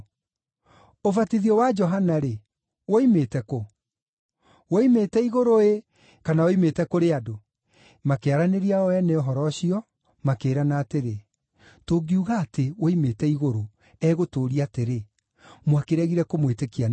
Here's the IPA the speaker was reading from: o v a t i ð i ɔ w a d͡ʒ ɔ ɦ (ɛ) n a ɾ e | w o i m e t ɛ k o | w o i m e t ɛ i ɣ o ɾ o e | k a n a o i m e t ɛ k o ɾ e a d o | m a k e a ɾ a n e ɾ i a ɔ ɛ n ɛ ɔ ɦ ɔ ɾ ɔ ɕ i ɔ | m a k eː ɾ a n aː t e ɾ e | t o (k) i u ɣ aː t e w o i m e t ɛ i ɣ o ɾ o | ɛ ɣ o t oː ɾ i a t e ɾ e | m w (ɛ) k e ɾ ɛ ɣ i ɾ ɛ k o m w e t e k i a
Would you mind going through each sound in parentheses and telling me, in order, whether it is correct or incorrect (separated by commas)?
incorrect, incorrect, incorrect